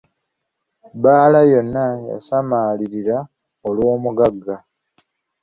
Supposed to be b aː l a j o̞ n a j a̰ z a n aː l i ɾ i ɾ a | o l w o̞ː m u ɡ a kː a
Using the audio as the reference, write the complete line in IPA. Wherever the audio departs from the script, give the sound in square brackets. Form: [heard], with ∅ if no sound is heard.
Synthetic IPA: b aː l a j o̞ [nː] a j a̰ [s] a [m] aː l i ɾ i ɾ a | o l w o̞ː m u ɡ a [ɡː] a